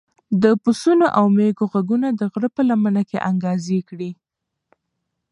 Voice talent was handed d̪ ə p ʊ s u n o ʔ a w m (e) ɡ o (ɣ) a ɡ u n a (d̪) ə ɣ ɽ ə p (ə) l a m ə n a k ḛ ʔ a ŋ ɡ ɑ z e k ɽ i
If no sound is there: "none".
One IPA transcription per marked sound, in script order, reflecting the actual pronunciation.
e, ɣ, d̪, ə

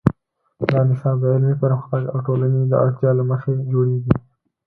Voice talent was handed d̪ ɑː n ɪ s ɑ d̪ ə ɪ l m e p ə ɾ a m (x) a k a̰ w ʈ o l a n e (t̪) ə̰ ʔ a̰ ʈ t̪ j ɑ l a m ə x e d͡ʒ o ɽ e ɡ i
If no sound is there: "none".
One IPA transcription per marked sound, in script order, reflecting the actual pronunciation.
x, d̪

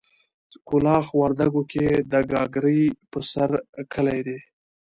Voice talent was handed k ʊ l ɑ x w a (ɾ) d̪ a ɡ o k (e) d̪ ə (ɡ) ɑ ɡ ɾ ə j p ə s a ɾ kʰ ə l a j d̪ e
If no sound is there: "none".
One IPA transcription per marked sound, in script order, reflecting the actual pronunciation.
ɾ, e, ɡ

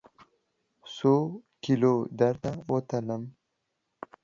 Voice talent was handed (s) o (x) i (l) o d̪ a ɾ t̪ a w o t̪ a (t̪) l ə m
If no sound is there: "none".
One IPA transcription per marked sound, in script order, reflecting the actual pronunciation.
s, k, l, none

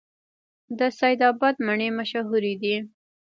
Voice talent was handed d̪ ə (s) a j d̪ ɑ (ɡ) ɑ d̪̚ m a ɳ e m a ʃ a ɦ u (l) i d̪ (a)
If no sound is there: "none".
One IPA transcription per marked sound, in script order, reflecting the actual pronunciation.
s, b, ɾ, i

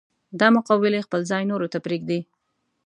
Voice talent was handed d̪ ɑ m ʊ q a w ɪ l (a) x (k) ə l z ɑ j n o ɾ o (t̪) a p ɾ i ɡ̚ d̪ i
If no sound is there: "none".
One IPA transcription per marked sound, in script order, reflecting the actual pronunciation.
e, p, t̪

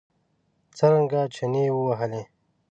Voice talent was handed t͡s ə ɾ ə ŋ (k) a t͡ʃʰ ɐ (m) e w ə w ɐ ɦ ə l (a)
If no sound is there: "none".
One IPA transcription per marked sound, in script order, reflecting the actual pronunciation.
ɡ, n, e

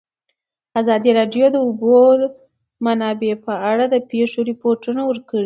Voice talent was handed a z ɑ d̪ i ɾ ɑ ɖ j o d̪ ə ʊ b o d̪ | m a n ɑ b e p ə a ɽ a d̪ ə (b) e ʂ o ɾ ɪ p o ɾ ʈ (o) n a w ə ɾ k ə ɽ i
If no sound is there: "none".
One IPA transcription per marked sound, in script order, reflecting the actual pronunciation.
p, u

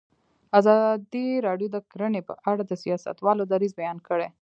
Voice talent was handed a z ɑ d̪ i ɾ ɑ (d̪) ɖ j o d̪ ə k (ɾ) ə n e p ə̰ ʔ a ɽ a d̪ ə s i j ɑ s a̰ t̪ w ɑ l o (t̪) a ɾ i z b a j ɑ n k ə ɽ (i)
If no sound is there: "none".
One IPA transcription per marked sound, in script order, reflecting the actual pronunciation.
none, ɾ, d̪, e

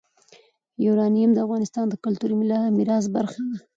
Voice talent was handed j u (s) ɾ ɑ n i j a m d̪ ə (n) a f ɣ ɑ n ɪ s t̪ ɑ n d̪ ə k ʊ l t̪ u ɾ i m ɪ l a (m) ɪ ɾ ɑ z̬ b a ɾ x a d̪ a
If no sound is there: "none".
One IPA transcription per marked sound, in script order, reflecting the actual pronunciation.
none, none, m

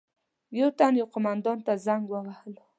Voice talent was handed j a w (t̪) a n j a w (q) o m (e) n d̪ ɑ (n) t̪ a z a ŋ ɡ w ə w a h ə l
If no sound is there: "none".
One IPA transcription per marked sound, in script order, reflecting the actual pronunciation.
t̪, q, a, n

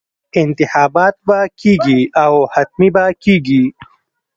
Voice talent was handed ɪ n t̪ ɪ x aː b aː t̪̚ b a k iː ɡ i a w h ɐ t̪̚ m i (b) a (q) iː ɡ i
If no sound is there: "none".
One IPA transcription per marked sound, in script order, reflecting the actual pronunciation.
b, k

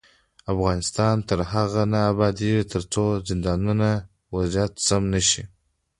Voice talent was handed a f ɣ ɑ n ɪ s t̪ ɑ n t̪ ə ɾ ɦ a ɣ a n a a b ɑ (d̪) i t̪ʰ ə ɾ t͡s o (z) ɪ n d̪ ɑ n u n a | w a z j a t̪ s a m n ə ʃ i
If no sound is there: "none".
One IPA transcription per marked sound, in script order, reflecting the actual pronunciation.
d̪, z

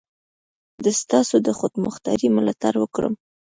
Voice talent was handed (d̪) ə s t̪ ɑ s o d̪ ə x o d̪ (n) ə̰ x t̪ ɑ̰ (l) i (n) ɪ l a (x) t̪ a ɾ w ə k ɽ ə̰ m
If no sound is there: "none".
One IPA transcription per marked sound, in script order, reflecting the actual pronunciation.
d̪, m, ɾ, m, none

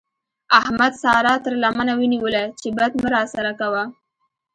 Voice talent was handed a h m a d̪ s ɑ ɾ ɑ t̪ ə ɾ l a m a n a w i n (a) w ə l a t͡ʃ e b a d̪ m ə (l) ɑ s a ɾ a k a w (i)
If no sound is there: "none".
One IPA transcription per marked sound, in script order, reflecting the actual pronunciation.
i, ɾ, a

